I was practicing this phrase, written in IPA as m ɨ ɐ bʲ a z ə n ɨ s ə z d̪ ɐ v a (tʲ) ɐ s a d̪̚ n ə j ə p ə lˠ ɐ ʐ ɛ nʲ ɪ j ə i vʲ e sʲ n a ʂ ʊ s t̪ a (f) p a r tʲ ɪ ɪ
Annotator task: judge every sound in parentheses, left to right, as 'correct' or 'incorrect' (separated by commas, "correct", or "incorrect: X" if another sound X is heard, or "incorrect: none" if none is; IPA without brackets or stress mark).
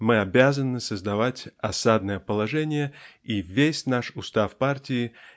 correct, correct